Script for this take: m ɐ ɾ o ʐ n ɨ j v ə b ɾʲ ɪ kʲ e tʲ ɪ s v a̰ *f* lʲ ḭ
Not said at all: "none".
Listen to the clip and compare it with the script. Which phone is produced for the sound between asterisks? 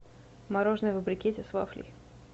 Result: f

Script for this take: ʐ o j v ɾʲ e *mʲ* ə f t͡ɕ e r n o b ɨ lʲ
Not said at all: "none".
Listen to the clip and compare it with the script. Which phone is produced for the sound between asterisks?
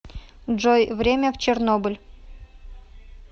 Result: mʲ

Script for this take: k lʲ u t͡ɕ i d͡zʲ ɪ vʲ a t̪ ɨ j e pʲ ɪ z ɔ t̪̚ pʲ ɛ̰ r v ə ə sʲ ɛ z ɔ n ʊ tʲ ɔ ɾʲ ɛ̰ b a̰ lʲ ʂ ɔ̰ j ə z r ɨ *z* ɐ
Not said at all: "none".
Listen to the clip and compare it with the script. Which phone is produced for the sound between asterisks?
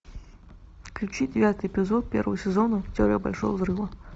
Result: v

